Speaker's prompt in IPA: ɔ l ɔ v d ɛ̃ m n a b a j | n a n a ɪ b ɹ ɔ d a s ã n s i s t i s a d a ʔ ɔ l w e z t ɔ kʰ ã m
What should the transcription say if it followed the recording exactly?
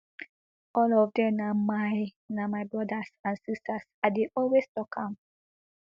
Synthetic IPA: ɔ l ɔ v d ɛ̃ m n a m a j | n a m a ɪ b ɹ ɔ d a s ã n s i s t a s a d e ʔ ɔ l w e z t ɔ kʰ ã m